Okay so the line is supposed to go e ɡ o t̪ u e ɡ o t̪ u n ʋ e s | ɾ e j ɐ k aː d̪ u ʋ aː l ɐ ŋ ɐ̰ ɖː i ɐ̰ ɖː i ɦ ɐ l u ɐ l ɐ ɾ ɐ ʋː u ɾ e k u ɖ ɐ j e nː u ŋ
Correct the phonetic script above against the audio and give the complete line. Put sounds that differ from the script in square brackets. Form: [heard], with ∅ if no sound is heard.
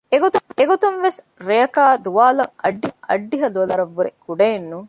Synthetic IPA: e ɡ o t̪ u e ɡ o t̪ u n ʋ e s | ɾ e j ɐ k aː d̪ u ʋ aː l ɐ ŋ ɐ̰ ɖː i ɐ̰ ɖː i ɦ ɐ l u ɐ l ɐ ɾ ɐ ʋː u ɾ e k u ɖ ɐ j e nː u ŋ